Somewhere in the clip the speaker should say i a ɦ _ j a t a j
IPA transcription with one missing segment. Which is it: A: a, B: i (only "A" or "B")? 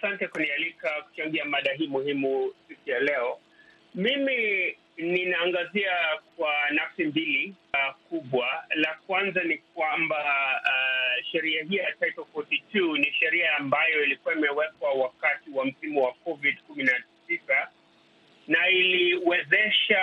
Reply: B